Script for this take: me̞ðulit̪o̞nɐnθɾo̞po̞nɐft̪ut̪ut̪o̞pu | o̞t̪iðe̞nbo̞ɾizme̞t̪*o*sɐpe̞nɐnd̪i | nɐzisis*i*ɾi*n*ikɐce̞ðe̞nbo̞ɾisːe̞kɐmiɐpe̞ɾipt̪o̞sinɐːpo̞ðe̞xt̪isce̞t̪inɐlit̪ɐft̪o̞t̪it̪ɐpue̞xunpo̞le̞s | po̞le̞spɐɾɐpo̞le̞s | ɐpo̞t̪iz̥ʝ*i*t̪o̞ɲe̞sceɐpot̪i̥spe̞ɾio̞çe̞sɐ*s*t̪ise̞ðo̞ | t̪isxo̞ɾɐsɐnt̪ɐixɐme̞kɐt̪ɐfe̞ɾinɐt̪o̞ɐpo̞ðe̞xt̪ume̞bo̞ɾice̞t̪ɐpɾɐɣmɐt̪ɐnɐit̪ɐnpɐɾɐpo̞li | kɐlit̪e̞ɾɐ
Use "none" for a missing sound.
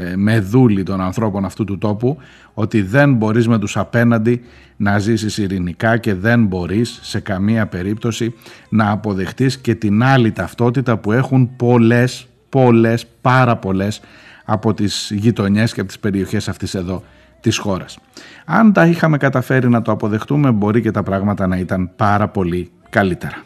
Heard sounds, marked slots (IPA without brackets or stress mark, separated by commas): u, i, n, i, f